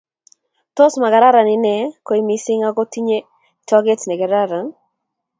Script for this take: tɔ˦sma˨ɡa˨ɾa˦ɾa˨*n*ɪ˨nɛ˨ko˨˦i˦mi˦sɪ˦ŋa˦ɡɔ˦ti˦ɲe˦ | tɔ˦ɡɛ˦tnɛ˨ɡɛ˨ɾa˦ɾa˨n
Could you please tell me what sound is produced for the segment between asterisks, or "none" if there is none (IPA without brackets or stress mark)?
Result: n